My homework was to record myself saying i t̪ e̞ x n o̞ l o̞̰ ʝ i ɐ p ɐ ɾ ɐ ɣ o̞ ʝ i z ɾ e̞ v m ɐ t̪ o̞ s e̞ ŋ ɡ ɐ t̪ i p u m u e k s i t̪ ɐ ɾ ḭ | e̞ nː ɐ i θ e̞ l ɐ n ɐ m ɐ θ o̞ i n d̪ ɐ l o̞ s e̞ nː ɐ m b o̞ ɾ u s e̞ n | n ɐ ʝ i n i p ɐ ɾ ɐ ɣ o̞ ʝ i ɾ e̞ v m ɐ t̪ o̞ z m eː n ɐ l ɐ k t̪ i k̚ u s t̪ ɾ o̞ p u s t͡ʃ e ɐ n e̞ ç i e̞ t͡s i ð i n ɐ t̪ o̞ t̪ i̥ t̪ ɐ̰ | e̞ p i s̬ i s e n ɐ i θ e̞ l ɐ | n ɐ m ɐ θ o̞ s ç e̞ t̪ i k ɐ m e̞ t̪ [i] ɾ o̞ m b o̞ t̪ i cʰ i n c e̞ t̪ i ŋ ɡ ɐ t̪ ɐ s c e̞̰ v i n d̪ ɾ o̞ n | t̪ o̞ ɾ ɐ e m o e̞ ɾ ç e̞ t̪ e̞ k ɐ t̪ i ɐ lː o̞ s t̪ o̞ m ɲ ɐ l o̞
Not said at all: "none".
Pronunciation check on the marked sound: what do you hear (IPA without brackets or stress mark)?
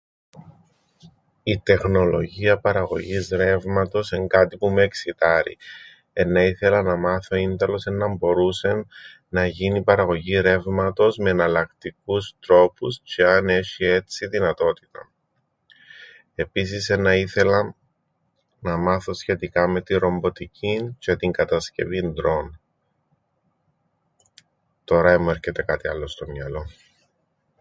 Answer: i